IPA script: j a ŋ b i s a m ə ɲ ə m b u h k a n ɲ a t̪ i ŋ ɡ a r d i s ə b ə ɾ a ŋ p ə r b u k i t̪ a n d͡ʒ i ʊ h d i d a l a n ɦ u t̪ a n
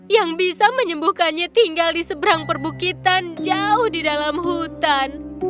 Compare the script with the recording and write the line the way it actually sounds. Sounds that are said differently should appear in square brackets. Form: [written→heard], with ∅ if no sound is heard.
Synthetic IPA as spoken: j a ŋ b i s a m ə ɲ ə m b u h k a n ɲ a t̪ i ŋ ɡ a [r→l] d i s ə b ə ɾ a ŋ p ə r b u k i t̪ a n d͡ʒ [i→a] ʊ h d i d a l a [n→m] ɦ u t̪ a n